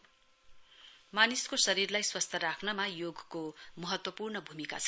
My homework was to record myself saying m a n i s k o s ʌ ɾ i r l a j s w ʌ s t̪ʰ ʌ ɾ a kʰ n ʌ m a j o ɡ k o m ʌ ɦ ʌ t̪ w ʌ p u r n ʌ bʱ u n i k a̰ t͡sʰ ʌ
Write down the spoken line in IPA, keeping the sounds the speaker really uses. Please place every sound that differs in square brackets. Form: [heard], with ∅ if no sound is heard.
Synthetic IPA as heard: m a n i s k o s ʌ ɾ i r l a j s w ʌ s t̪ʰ ʌ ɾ a kʰ n ʌ m a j o ɡ k o m ʌ ɦ ʌ t̪ w ʌ p u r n ʌ bʱ u [m] i k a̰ t͡sʰ ʌ